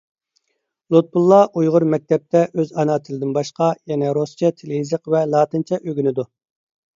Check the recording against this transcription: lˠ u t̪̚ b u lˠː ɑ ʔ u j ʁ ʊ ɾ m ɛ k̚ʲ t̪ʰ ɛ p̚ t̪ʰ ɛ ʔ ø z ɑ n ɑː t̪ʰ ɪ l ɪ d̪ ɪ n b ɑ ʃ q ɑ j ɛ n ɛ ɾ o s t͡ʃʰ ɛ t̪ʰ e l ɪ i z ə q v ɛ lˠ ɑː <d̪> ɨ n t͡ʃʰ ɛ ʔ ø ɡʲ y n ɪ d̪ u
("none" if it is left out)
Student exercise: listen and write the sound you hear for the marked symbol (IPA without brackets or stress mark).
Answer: t̪